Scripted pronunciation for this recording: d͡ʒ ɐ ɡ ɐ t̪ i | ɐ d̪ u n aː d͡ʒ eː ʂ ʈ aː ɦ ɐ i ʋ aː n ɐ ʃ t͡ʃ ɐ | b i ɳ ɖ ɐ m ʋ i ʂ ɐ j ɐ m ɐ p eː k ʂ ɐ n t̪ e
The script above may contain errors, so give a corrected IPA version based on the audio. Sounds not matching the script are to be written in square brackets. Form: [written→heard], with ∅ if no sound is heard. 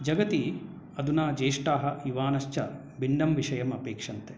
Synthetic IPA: d͡ʒ ɐ ɡ ɐ t̪ i | ɐ d̪ u n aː d͡ʒ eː ʂ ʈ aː ɦ ɐ i ʋ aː n ɐ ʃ t͡ʃ ɐ | b i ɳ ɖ ɐ m ʋ i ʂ ɐ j ɐ m ɐ p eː k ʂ ɐ n t̪ e